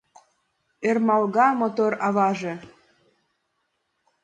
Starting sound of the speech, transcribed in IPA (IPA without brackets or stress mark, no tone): e